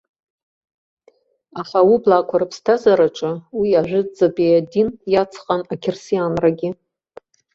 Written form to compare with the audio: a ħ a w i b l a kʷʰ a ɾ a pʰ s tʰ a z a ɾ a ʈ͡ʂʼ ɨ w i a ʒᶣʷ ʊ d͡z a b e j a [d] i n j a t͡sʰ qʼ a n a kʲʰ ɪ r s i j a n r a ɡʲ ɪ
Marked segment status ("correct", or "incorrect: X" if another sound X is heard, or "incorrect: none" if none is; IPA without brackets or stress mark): correct